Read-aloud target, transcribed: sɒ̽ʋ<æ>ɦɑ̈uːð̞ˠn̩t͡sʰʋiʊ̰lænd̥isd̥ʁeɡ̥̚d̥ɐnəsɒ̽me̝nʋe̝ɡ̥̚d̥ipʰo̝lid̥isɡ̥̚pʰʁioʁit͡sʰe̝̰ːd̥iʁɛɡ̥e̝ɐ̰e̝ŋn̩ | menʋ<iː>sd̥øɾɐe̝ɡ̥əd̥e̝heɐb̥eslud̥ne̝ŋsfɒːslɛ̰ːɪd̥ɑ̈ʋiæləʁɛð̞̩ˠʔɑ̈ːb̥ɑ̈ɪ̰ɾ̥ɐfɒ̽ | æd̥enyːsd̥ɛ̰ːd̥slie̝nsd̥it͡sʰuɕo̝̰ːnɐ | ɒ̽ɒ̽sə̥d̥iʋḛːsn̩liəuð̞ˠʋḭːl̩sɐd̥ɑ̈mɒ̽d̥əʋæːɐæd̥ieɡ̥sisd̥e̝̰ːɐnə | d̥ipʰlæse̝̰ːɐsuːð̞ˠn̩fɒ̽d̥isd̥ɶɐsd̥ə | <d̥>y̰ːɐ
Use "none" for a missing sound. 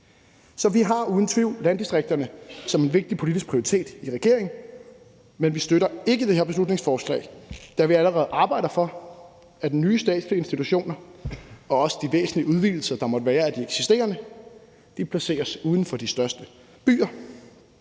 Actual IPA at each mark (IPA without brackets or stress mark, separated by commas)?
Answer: i, i, b̥